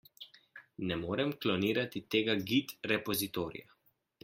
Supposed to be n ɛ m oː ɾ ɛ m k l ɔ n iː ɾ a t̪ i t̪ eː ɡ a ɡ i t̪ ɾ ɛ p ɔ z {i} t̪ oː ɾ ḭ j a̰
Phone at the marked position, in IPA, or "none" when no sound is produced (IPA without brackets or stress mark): i